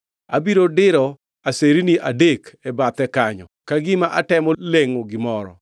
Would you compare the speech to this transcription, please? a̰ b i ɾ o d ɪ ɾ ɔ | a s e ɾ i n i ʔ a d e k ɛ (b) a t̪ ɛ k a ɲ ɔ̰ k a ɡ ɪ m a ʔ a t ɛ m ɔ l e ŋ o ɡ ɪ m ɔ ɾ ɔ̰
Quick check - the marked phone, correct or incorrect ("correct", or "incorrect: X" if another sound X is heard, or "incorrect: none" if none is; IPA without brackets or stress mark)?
correct